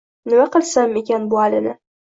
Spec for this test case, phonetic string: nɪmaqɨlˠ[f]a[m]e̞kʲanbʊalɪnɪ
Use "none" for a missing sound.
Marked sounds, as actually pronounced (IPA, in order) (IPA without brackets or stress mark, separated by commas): s, m